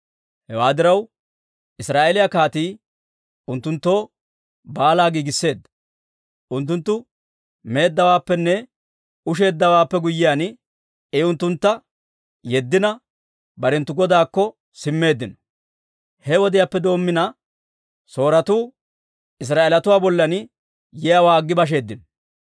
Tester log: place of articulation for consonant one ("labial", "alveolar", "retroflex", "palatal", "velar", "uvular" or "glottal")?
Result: glottal